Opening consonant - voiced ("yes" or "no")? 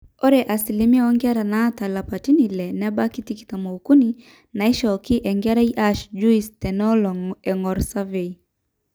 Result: yes